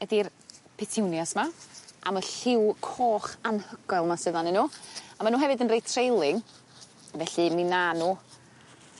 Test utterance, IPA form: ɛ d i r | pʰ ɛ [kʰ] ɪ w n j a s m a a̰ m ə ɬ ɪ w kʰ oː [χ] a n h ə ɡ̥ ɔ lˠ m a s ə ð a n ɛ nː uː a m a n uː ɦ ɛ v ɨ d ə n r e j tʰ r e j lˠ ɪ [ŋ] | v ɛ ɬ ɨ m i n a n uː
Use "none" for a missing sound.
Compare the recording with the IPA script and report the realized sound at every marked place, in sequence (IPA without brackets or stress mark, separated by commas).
tʰ, χ, ŋ